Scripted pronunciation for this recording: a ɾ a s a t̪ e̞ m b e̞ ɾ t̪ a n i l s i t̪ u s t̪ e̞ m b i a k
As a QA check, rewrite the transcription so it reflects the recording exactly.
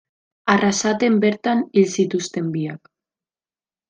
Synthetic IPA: a r a s a t̪ e̞ m b e̞ ɾ t̪ a n i l s i t̪ u s t̪ e̞ m b i a k